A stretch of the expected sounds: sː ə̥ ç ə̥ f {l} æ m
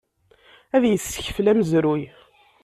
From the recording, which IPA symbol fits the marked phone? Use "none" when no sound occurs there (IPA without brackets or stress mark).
l